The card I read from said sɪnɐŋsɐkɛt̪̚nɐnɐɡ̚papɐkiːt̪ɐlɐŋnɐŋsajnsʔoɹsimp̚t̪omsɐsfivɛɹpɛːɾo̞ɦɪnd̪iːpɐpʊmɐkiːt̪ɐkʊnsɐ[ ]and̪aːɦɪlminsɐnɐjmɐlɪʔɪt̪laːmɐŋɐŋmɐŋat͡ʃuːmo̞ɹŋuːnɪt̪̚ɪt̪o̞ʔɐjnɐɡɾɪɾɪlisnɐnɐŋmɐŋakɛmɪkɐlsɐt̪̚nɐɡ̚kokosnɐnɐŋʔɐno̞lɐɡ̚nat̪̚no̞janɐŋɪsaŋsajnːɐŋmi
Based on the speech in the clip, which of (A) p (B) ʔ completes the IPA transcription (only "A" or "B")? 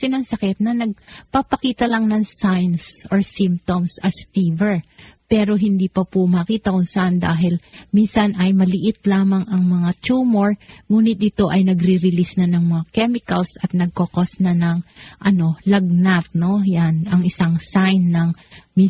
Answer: B